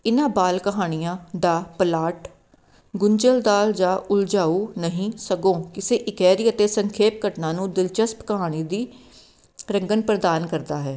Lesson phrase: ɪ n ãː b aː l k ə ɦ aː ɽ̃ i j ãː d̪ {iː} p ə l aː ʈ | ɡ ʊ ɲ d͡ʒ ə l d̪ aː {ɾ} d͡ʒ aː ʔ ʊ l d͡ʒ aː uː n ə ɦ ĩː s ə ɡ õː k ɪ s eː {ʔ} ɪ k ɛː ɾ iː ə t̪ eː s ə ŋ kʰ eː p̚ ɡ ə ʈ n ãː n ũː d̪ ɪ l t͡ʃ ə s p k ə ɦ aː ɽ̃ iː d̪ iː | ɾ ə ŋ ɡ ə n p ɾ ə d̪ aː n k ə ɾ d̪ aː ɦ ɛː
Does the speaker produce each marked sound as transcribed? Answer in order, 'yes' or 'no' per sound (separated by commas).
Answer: no, no, yes